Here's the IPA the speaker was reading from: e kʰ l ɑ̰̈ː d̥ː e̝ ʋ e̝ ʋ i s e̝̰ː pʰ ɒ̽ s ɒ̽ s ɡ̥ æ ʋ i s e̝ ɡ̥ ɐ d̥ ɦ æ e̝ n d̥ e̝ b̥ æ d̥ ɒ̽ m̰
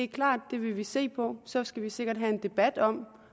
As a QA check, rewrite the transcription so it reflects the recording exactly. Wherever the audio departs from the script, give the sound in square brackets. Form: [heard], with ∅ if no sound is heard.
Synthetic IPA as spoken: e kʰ l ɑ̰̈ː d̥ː e̝ ʋ e̝ ʋ i s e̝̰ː pʰ ɒ̽ s ɒ̽ s ɡ̥ æ ʋ i s e̝ ɡ̥ ɐ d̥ ɦ æ e̝ n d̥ e̝ b̥ æ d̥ ɒ̽ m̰